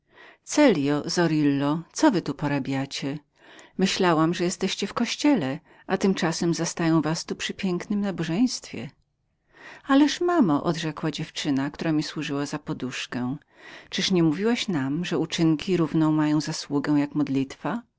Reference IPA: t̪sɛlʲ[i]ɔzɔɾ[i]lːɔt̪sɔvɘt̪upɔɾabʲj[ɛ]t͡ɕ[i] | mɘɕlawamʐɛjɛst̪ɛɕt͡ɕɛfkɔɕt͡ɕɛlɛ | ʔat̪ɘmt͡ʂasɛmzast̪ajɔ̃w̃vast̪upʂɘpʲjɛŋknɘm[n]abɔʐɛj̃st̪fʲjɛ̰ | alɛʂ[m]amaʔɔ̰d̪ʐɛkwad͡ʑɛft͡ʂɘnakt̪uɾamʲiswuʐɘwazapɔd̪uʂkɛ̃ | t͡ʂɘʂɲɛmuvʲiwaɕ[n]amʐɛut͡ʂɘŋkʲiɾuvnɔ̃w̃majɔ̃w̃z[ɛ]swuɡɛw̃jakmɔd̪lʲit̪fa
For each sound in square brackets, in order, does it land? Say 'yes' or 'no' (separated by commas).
no, yes, no, no, yes, yes, yes, no